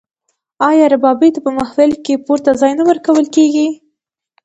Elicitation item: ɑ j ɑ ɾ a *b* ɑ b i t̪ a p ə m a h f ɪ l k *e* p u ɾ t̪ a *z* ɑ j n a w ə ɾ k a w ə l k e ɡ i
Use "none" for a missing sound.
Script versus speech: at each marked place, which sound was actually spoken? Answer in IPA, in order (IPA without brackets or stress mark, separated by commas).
b, e, z